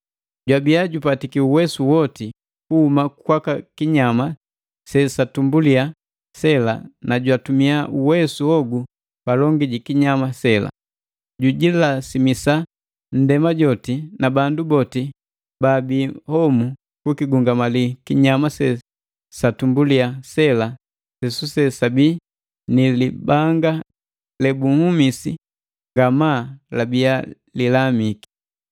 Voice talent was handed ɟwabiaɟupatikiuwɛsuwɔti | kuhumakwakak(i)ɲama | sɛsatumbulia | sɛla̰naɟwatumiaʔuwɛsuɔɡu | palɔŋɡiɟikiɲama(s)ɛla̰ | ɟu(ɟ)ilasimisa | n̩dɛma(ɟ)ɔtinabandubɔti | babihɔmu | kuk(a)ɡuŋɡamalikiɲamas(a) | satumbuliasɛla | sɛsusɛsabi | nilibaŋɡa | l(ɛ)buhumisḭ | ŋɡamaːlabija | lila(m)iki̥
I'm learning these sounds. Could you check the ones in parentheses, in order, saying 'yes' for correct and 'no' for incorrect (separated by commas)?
yes, yes, yes, yes, no, no, yes, yes